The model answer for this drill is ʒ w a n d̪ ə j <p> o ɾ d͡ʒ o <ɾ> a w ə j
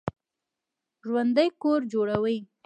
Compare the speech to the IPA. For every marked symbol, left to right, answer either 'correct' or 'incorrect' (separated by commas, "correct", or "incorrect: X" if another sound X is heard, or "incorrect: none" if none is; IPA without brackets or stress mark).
incorrect: k, incorrect: ɽ